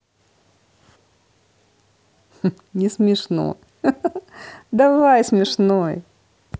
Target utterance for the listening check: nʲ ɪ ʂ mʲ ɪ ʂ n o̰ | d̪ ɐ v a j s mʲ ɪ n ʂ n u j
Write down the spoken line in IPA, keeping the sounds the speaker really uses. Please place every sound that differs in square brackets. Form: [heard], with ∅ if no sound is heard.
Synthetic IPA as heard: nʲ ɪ [s] mʲ ɪ ʂ n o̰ | d̪ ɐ v a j s mʲ ɪ [∅] ʂ n [o] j